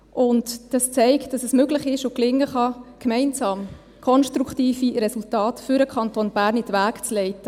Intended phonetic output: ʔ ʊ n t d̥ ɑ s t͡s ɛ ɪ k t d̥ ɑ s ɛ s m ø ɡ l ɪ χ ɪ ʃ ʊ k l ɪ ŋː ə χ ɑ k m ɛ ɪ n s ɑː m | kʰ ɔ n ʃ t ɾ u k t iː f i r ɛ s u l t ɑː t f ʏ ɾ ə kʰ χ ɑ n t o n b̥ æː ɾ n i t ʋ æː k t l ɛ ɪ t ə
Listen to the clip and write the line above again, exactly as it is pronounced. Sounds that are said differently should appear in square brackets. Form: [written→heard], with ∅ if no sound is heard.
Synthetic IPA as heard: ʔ ʊ n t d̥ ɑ s t͡s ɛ ɪ k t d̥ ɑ s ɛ s m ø ɡ l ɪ χ ɪ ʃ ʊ k l ɪ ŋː ə χ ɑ k m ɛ ɪ n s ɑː m | kʰ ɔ n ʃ t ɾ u k t iː f i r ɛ s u l t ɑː t f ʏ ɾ ə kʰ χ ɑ n t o n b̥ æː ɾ n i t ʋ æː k [t→t͡s] l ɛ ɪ t ə

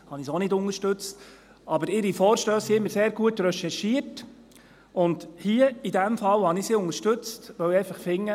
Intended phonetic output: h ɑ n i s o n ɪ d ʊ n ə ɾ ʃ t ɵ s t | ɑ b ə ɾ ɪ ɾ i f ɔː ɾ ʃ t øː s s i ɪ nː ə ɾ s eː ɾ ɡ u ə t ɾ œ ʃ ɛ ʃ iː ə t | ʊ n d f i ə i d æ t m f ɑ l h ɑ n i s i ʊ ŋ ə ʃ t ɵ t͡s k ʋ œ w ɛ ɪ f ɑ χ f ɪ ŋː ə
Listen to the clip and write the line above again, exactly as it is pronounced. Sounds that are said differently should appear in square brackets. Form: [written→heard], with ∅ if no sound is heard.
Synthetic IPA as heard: h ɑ n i s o n ɪ d ʊ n ə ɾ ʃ t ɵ [s→t͡s] t | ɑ b ə ɾ ɪ ɾ i f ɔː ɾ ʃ t øː s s i ɪ [nː→mː] ə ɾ s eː ɾ ɡ u ə t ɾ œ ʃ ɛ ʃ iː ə t | ʊ n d [f→h] i ə i d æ [t→∅] m f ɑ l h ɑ n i s i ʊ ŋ ə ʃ t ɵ t͡s [k→t] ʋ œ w ɛ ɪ f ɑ χ f ɪ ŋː ə

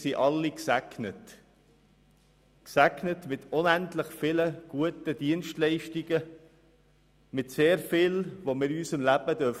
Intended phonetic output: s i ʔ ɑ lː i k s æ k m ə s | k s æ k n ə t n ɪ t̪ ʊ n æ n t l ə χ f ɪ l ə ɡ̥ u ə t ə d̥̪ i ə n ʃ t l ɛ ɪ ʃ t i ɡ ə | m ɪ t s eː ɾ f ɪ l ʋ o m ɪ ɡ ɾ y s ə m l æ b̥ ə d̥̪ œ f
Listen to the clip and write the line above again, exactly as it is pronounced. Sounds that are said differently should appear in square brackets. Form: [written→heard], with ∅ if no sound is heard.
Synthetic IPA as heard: s i ʔ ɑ lː i k s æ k [m→n] ə [s→t] | k s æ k n ə t [n→m] ɪ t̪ ʊ n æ n t l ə χ f ɪ l ə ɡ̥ u ə t ə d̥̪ i ə n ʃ t l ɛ ɪ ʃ t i ɡ ə | m ɪ t s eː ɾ f ɪ l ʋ o m ɪ [ɡ→∅] ɾ y s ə m l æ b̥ ə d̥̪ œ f

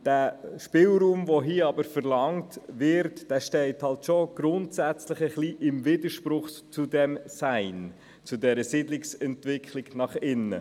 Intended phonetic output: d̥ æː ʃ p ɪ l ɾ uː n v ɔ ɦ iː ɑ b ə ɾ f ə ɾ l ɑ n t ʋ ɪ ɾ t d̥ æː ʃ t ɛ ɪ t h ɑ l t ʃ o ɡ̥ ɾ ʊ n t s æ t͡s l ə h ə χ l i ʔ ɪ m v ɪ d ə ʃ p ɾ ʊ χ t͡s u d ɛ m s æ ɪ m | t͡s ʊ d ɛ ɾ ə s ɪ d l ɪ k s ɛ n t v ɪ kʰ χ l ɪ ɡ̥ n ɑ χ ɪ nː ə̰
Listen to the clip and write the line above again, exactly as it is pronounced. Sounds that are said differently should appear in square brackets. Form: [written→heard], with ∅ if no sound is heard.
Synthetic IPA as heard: d̥ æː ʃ p ɪ l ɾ uː [n→m] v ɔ ɦ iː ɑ b ə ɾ f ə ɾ l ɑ [n→ŋ] t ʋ ɪ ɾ t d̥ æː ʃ t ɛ ɪ t h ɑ l t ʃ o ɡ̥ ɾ ʊ n t s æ t͡s l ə [h→χ] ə χ l i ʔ ɪ m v ɪ d ə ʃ p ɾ ʊ χ t͡s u d ɛ m s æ ɪ [m→n] | t͡s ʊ d ɛ ɾ ə s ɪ d l ɪ k s ɛ n t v ɪ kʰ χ l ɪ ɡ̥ n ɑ χ ɪ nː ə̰

